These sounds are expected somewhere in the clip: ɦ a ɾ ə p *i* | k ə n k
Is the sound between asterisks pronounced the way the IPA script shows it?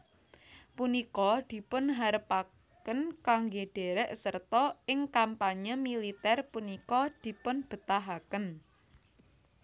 no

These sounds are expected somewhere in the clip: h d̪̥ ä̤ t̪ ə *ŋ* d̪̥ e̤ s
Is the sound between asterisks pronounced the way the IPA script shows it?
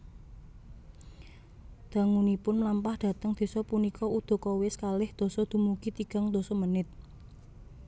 yes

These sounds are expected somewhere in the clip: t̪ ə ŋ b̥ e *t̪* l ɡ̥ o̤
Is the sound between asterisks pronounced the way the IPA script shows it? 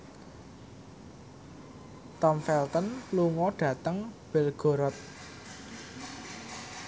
no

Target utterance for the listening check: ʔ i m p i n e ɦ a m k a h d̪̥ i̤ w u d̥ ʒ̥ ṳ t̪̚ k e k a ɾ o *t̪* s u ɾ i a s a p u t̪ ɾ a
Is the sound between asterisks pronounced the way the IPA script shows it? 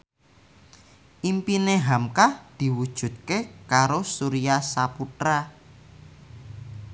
no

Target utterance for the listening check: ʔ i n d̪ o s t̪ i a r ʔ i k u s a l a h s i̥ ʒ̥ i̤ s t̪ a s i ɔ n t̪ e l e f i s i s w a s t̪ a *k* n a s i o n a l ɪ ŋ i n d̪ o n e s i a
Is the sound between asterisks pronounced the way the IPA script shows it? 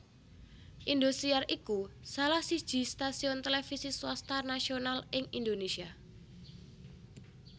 no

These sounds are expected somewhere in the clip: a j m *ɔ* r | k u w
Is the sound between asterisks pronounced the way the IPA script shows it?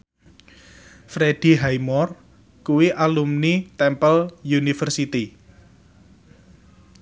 yes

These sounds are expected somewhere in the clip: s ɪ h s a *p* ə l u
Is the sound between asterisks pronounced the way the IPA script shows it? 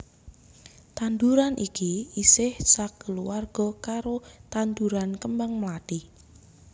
no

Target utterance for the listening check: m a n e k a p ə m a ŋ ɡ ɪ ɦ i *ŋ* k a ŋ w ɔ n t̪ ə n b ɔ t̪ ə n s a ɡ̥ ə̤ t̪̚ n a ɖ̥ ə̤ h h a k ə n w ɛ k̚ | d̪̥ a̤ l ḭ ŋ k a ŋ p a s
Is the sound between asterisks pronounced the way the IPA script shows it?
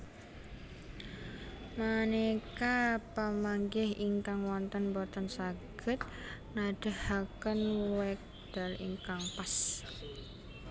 yes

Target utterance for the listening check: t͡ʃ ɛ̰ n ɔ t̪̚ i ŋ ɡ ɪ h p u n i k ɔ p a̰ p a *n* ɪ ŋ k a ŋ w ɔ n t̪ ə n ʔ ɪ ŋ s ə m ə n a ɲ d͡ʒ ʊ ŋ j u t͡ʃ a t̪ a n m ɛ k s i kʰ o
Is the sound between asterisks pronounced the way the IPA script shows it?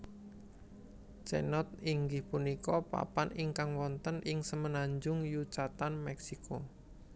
yes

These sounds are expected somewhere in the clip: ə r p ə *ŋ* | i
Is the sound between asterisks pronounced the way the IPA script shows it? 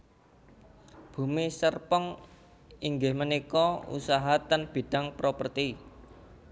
yes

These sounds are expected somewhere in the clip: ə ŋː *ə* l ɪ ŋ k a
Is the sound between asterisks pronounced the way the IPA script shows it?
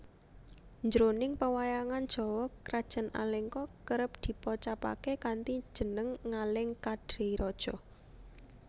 no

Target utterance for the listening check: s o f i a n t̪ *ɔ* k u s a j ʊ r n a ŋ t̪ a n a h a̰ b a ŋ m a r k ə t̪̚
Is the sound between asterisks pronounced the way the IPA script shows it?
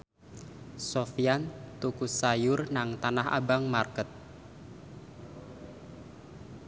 no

